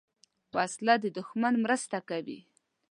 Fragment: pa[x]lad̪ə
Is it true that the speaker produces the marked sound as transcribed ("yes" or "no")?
no